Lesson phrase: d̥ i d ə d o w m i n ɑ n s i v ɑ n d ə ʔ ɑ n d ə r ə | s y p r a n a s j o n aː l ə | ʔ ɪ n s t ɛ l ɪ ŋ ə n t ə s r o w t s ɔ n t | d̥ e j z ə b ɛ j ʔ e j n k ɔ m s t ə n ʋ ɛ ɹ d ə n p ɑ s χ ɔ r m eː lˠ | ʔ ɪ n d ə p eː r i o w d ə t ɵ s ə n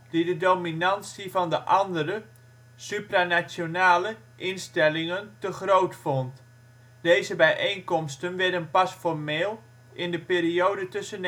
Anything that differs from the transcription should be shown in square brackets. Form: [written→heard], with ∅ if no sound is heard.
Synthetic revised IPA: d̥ i d ə d o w m i n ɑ n s i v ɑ n d ə ʔ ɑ n d ə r ə | s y p r a n a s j o n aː l ə | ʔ ɪ n s t ɛ l ɪ ŋ ə n t ə [s→χ] r o w t [s→f] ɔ n t | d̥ e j z ə b ɛ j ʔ e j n k ɔ m s t ə n ʋ ɛ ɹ d ə n p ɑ s [χ→f] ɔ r m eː lˠ | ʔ ɪ n d ə p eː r i o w d ə t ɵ s ə n